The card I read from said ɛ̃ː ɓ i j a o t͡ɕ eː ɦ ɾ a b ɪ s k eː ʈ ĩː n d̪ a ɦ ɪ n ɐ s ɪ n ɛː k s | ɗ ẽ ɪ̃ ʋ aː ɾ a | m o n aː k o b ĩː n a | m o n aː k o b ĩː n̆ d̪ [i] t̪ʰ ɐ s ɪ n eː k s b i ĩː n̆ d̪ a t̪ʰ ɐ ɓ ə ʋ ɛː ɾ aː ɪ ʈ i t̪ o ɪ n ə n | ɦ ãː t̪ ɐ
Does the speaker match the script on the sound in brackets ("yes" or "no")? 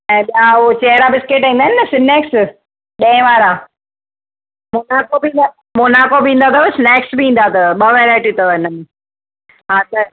no